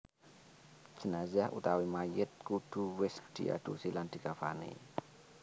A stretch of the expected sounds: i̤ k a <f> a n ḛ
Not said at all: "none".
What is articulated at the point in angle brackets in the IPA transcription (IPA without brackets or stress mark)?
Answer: f